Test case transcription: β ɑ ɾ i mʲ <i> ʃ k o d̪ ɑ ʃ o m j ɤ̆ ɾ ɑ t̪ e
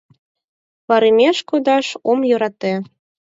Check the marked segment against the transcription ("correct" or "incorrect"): incorrect